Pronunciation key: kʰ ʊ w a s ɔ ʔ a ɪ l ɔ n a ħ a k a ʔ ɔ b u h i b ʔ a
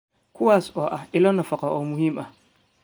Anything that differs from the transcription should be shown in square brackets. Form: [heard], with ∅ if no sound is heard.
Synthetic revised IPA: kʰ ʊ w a s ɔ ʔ a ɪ l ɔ n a [f] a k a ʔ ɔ [m] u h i [m] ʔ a